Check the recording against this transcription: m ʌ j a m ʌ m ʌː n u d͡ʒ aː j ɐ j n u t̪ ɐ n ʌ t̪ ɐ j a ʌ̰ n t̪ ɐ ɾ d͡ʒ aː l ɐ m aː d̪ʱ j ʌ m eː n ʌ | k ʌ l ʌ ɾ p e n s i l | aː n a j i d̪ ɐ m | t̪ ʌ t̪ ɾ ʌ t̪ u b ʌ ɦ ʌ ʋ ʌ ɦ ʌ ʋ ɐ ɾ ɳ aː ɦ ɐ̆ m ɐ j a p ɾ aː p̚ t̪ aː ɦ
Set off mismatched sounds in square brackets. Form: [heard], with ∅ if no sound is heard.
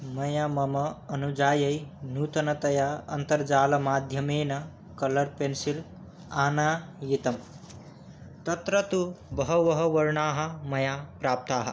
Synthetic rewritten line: m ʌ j a m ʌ m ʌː n u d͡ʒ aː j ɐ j n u t̪ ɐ n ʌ t̪ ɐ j a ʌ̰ n t̪ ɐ ɾ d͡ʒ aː l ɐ m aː d̪ʱ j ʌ m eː n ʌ | k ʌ l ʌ ɾ p e n s i l | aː n a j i [t̪] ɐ m | t̪ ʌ t̪ ɾ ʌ t̪ u b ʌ ɦ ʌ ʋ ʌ ɦ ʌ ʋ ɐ ɾ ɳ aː ɦ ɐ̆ m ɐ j a p ɾ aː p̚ t̪ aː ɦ